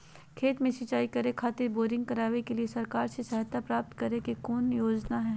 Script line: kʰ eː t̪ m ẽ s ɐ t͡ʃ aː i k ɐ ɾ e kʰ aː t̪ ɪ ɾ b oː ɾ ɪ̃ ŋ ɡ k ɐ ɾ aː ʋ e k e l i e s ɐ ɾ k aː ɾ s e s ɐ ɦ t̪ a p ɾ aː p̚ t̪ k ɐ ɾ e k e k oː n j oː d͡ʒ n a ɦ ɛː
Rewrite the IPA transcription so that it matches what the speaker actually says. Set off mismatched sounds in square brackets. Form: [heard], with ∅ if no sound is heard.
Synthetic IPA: kʰ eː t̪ m ẽ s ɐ t͡ʃ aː i k ɐ ɾ e kʰ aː t̪ ɪ ɾ b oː ɾ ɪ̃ ŋ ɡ k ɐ ɾ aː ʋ e k e l i e s ɐ ɾ k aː ɾ s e s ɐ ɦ t̪ a p ɾ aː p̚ t̪ k ɐ ɾ e k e k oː n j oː d͡ʒ n a ɦ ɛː

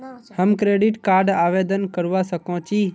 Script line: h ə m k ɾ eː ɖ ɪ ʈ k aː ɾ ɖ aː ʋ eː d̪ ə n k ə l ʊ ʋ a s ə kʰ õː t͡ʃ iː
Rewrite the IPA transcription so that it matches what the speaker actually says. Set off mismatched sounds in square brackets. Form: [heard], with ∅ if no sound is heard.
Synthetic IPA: h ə m k ɾ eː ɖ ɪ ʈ k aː ɾ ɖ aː ʋ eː d̪ ə n k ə [ɾ] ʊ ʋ a s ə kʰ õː t͡ʃ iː

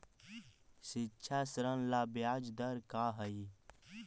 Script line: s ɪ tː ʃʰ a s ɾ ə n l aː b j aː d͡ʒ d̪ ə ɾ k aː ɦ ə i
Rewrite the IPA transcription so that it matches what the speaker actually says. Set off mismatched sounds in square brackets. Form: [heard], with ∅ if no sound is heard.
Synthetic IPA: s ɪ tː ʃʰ a s ɾ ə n l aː b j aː d͡ʒ d̪ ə ɾ k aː ɦ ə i

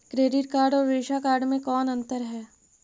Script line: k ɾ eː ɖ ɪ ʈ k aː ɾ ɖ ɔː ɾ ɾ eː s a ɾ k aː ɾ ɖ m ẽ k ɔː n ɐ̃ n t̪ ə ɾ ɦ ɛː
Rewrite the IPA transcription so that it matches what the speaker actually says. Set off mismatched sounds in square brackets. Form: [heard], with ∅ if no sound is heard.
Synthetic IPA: k ɾ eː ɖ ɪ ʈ k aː ɾ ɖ ɔː ɾ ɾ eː [ʃ] a [∅] k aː ɾ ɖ m ẽ k ɔː n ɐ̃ n t̪ ə ɾ ɦ ɛː

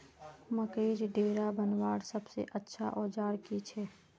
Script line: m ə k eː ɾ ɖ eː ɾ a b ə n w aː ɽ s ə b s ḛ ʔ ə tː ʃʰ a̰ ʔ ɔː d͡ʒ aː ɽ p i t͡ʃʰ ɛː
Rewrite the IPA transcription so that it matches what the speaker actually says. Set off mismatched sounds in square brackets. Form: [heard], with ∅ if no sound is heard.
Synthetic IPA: m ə k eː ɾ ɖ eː ɾ a b ə n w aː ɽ s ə b s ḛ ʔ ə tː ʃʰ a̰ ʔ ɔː d͡ʒ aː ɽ [k] i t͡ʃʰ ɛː

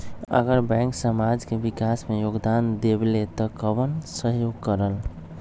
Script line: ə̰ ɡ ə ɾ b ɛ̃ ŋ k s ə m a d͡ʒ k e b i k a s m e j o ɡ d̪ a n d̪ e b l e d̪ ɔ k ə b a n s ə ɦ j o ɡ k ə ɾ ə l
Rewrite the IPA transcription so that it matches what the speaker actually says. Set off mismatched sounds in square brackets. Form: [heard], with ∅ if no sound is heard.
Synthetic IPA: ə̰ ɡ ə ɾ b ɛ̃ ŋ k s ə m a d͡ʒ k e b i k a s m e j o ɡ d̪ a n d̪ e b l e [t̪] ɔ k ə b [ə] n s ə ɦ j o ɡ k ə ɾ ə l

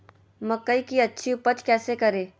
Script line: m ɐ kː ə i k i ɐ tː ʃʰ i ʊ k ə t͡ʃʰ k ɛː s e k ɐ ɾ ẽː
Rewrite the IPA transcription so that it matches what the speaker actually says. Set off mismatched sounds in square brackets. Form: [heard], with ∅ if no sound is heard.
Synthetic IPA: m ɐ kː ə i k i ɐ tː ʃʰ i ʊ [p] ə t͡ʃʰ k ɛː s e k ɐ ɾ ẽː

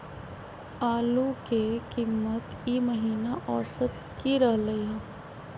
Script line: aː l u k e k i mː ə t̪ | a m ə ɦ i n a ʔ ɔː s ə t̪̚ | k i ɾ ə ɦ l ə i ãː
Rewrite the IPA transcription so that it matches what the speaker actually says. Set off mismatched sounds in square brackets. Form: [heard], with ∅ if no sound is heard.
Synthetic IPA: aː l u k e k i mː ə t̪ | [i] m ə ɦ [iː] n a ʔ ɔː s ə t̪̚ | k i ɾ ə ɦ l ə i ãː

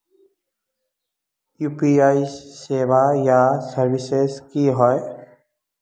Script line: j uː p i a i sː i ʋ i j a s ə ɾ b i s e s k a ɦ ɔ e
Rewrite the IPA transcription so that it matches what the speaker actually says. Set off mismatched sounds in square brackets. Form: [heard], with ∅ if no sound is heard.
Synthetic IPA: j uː p i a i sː [e] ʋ [a] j a s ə ɾ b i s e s k [i] ɦ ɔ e

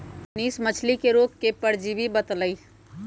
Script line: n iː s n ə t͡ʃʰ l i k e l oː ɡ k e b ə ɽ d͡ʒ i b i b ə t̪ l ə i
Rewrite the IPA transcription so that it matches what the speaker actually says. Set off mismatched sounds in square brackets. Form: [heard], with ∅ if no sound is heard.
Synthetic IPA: n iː s [m] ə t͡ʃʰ l i k e [ɾ] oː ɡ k e [p] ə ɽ d͡ʒ i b i b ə t̪ l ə i

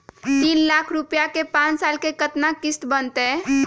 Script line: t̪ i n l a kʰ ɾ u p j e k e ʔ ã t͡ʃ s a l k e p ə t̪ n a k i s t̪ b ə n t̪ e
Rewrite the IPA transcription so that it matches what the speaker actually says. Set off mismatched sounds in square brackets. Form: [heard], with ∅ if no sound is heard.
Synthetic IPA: t̪ i n l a kʰ ɾ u p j [a] k e [p] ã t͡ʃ s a l k e [k] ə t̪ n a k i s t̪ b ə n t̪ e

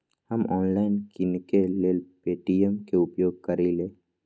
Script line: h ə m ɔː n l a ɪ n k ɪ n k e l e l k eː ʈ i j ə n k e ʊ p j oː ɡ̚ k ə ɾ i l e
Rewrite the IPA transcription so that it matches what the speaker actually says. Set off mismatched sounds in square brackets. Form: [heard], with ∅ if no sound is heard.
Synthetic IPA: h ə m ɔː n l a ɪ n k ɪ n k e l e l [p] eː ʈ i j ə [m] k e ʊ p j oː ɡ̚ k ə ɾ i l e

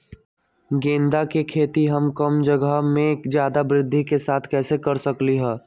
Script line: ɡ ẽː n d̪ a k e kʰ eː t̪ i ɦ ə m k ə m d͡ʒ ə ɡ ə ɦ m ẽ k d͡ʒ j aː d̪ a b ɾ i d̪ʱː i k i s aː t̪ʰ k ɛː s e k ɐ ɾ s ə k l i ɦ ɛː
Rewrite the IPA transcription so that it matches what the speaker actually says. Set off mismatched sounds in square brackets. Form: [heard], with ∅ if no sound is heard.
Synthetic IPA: ɡ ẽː n d̪ a k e kʰ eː t̪ i ɦ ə m k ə m d͡ʒ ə ɡ ə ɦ m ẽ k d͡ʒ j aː d̪ a b ɾ [ɪ] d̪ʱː i k [e] s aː t̪ʰ k ɛː s e k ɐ ɾ s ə k l i ɦ ɛː

